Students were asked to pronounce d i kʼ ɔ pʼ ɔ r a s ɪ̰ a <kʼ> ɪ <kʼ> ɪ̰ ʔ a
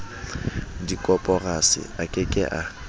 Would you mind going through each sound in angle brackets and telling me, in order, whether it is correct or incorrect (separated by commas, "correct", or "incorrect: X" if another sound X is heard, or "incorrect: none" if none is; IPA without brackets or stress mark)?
correct, correct